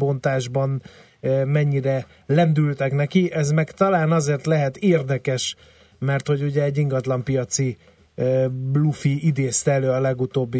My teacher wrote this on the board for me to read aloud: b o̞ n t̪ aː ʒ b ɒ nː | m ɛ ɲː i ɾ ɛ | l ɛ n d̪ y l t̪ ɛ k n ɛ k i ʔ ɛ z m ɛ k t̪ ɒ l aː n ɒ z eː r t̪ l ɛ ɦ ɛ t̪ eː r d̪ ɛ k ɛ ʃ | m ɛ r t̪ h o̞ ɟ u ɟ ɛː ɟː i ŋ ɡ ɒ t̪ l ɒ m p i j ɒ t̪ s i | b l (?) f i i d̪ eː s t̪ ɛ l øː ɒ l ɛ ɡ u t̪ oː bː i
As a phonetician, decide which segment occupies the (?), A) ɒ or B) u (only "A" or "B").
B